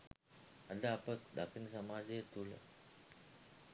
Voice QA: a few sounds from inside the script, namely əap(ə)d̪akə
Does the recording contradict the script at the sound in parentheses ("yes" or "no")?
no